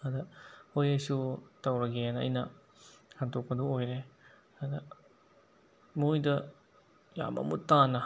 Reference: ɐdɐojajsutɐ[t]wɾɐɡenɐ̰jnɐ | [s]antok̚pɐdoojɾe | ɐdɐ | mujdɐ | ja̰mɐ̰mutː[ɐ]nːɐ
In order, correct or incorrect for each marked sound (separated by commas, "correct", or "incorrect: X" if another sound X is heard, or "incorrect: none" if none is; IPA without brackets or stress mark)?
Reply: incorrect: none, incorrect: h, incorrect: a